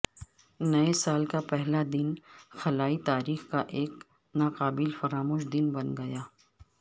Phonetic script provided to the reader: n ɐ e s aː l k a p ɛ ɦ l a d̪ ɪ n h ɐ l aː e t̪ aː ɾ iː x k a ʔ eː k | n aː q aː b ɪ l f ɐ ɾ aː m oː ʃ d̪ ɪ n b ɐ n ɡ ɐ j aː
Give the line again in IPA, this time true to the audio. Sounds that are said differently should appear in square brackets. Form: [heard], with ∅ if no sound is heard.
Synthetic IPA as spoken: n ɐ e s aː l k a p ɛ ɦ l a d̪ ɪ n [x] ɐ l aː [i] t̪ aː ɾ iː x k a ʔ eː k | n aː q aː b ɪ l f ɐ ɾ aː m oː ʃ d̪ ɪ n b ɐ n ɡ ɐ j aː